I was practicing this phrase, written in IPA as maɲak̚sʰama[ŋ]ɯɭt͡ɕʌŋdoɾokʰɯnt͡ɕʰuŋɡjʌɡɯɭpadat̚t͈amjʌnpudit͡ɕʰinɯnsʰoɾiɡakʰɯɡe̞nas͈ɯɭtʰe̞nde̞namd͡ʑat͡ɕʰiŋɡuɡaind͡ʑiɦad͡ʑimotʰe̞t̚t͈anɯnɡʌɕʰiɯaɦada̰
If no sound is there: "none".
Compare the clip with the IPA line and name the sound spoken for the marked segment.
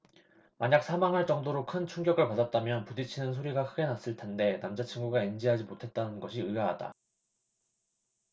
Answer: ŋ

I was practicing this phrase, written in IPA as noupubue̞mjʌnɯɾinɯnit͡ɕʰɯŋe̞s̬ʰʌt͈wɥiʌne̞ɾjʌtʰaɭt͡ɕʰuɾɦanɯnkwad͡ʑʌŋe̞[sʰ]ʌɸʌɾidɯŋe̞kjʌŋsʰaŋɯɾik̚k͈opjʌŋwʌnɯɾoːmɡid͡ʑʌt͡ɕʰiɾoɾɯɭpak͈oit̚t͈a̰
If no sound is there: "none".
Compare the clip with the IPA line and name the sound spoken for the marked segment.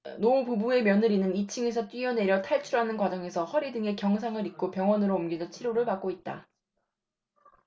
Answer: sʰ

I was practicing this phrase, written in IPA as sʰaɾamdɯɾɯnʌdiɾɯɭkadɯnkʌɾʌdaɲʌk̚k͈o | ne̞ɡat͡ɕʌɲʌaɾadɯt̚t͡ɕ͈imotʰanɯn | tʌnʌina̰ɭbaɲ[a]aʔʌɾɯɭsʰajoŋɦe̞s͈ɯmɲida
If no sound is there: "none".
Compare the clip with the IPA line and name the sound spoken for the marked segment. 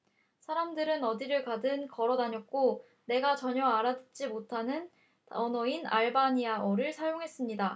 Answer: i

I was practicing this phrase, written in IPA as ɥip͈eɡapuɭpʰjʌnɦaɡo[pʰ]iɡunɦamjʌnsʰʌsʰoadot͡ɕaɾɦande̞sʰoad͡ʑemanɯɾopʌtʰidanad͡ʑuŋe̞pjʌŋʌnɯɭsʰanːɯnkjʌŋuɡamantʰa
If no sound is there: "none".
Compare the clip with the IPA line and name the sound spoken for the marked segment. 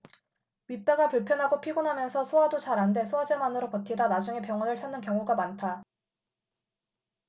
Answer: pʰ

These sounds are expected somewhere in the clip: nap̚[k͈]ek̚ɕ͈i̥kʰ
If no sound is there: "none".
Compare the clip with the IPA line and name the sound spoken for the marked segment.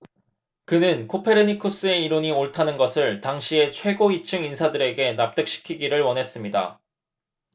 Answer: t͈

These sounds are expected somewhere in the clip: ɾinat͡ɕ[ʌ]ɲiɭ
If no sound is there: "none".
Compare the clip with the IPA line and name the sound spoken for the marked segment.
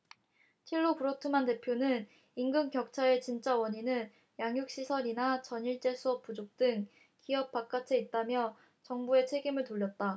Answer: ʌ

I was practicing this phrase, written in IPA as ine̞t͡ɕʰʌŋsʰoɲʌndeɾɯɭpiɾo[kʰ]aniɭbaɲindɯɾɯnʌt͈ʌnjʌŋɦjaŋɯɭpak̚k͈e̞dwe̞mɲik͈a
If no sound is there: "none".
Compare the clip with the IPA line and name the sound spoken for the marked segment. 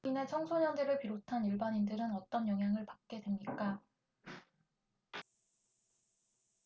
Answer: tʰ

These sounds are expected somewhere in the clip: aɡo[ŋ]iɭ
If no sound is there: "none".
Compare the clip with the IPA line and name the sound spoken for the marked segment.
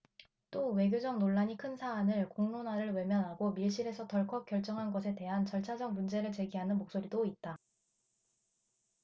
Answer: m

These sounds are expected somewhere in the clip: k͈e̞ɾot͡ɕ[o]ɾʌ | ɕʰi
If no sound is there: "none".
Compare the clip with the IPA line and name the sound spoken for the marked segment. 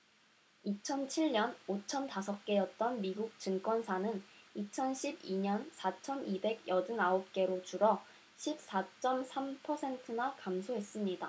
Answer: u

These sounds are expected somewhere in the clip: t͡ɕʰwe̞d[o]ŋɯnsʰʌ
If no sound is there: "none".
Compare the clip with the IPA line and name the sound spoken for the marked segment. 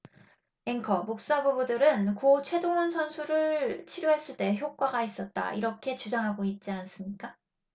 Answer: o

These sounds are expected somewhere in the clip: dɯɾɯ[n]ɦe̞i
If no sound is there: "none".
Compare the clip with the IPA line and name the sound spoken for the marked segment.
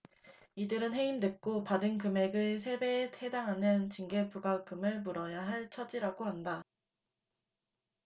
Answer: n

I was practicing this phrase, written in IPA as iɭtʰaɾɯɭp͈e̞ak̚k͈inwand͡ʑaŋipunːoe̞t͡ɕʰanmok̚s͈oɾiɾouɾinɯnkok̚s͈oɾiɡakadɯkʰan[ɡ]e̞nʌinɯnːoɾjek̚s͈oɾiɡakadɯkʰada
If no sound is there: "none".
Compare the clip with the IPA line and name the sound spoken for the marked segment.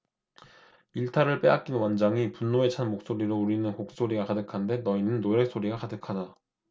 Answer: d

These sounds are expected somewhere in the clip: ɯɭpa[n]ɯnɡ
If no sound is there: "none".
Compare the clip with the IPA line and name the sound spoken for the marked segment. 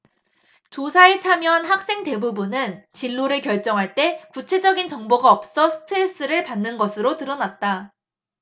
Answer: nː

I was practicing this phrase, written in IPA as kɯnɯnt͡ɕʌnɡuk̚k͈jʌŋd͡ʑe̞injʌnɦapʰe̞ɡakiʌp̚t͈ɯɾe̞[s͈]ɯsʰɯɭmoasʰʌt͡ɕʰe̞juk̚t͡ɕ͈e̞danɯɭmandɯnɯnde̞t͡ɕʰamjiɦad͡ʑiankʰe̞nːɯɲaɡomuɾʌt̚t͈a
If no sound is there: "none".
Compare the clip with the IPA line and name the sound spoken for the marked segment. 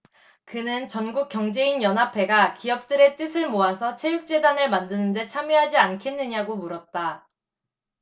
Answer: t͈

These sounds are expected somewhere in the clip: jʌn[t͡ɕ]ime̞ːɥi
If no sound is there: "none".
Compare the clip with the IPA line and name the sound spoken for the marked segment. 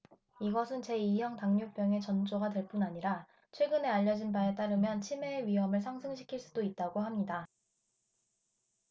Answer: t͡ɕʰ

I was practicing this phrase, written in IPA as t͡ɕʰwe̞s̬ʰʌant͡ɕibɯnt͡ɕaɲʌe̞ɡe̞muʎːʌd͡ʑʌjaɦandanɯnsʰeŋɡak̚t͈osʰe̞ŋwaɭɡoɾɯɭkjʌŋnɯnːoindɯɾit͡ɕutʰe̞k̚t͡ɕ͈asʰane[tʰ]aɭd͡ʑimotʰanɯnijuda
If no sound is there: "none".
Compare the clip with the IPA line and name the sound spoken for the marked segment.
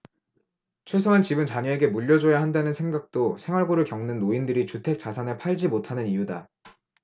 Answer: pʰ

